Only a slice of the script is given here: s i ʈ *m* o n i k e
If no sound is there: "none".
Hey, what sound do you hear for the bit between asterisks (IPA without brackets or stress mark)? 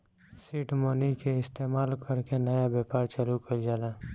m